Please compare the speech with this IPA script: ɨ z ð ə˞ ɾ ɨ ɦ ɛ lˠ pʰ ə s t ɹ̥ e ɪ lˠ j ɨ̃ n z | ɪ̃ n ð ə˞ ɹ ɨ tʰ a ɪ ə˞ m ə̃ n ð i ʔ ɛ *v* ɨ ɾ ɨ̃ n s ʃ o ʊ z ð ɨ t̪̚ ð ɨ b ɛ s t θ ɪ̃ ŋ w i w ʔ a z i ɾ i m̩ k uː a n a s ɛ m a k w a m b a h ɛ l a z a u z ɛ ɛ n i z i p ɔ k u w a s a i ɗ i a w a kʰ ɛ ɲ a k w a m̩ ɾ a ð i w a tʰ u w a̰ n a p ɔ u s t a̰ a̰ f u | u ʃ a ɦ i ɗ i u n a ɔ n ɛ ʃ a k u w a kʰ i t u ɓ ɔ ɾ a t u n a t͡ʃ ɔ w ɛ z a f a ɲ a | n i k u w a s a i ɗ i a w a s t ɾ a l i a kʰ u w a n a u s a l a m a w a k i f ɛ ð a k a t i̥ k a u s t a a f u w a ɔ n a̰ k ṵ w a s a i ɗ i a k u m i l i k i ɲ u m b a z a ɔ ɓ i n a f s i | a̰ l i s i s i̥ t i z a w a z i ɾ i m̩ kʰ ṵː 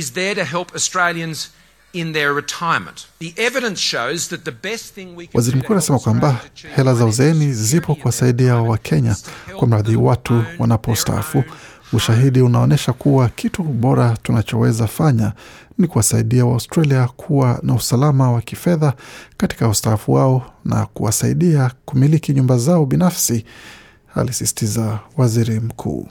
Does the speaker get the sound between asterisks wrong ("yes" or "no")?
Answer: no